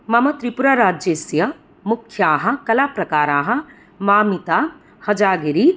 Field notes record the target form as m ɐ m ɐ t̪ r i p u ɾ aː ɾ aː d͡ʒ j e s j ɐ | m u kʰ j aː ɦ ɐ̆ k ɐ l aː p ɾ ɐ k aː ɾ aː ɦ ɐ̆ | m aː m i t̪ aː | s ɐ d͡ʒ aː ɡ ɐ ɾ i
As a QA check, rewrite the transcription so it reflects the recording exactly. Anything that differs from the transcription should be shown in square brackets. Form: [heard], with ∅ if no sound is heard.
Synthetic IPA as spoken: m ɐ m ɐ t̪ [ɾ] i p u ɾ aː ɾ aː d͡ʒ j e s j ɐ | m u kʰ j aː ɦ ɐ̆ k ɐ l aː p ɾ ɐ k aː ɾ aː ɦ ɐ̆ | m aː m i t̪ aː | [h] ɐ d͡ʒ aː ɡ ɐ ɾ i

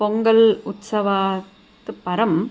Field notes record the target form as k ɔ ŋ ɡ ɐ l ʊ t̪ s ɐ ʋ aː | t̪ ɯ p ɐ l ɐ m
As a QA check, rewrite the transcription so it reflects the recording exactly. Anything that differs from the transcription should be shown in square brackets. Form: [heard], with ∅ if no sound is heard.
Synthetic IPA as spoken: [p] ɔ ŋ ɡ ɐ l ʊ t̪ s ɐ ʋ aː | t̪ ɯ p ɐ [ɾ] ɐ m

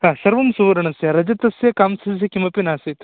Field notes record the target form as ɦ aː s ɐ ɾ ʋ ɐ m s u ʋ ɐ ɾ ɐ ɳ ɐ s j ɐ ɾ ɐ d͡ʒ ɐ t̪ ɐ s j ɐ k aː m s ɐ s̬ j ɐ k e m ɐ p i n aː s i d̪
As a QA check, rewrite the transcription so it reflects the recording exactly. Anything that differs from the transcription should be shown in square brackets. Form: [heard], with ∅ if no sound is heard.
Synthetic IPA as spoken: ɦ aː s ɐ ɾ ʋ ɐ m s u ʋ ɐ ɾ ɐ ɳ ɐ s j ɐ ɾ ɐ d͡ʒ ɐ t̪ ɐ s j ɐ k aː m s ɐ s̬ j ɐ k [i] m ɐ p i n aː s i [t̪]

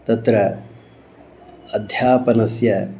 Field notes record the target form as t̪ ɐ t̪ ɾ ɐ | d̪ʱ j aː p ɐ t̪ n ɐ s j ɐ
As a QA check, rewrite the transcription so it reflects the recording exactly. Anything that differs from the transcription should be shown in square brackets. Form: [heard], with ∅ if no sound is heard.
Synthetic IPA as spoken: t̪ ɐ t̪ ɾ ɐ | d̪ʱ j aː p ɐ [∅] n ɐ s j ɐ

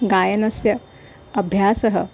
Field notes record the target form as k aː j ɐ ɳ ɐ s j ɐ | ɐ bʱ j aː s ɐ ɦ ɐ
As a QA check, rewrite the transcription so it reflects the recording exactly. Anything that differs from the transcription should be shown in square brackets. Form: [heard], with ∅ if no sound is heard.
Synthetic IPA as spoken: [ɡ] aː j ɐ [n] ɐ s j ɐ | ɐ bʱ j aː s ɐ ɦ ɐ

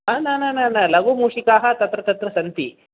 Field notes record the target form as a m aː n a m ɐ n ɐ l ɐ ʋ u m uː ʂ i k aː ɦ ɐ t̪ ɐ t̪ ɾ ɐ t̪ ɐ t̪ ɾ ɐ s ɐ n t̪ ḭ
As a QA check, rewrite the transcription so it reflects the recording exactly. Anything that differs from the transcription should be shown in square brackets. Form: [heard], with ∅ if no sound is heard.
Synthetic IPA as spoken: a [n] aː n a [n] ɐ n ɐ l ɐ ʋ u m uː ʂ i k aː ɦ ɐ t̪ ɐ t̪ ɾ ɐ t̪ ɐ t̪ ɾ ɐ s ɐ n t̪ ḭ

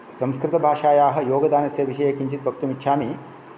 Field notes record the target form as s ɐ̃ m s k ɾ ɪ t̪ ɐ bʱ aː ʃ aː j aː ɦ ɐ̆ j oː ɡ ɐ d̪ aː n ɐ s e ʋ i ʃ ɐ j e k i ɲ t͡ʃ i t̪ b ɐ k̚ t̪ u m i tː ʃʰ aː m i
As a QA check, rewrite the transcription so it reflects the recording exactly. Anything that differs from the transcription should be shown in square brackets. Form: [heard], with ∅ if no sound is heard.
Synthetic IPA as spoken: s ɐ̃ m s k ɾ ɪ t̪ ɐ bʱ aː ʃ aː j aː ɦ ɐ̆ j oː ɡ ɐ d̪ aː n ɐ s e ʋ i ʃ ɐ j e k i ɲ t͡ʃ i t̪ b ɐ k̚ t̪ u m i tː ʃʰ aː m i

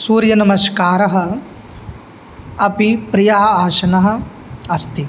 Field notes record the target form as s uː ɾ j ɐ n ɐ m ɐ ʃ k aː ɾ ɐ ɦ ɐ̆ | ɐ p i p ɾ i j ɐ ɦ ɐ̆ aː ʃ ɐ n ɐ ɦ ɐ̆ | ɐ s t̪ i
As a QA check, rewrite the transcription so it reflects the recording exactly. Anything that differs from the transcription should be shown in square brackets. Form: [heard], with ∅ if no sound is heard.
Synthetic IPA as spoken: s uː ɾ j ɐ n ɐ m ɐ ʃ k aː ɾ ɐ ɦ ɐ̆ | ɐ p i p ɾ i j ɐ ɦ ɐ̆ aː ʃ ɐ n ɐ ɦ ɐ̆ | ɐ s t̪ i

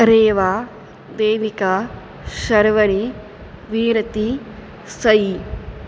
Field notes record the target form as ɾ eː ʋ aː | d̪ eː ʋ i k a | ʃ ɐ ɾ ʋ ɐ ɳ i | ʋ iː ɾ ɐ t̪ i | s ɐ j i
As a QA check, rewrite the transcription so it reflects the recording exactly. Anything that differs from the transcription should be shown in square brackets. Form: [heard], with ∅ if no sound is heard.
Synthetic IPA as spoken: ɾ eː ʋ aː | d̪ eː ʋ i k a | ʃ ɐ ɾ ʋ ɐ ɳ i | ʋ iː ɾ ɐ t̪ i | s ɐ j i

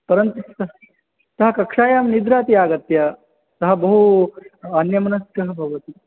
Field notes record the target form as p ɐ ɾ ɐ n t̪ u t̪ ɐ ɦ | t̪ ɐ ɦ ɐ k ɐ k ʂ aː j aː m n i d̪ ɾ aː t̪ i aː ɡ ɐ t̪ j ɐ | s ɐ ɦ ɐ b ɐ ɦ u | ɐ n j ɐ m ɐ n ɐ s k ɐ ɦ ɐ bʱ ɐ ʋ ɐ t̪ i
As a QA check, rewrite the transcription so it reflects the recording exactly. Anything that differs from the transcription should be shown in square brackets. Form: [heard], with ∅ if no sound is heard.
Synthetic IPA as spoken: p ɐ ɾ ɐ n t̪ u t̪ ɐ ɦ | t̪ ɐ ɦ ɐ k ɐ k ʂ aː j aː m n i d̪ ɾ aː t̪ i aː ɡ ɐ t̪ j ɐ | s ɐ ɦ ɐ b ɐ ɦ u | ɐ n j ɐ m ɐ n ɐ s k ɐ ɦ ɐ bʱ ɐ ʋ ɐ t̪ i

